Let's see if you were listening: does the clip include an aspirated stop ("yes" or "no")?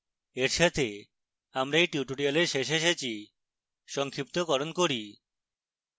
yes